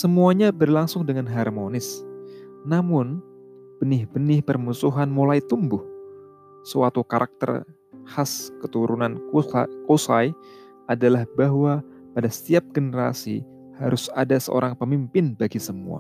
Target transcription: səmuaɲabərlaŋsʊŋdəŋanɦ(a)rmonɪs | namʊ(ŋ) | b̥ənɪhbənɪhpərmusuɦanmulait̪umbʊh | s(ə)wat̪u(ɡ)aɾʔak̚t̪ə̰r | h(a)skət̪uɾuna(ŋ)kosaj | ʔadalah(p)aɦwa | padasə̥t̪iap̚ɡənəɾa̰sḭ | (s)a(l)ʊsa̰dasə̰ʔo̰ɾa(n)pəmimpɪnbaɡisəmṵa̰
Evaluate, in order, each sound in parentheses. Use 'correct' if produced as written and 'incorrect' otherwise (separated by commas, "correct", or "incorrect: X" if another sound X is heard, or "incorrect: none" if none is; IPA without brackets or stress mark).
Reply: correct, incorrect: n, correct, incorrect: k, correct, incorrect: n, incorrect: b, incorrect: h, incorrect: ɾ, incorrect: ŋ